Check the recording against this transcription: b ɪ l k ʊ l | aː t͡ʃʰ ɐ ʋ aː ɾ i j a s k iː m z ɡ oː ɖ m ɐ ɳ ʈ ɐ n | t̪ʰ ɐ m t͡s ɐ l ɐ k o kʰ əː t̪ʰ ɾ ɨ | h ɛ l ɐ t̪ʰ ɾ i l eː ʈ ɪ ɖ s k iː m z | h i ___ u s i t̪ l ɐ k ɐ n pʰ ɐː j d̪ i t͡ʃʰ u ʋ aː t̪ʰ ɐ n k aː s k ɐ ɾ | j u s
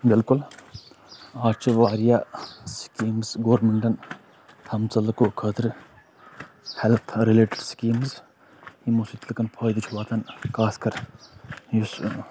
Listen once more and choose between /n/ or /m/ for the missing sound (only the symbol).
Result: m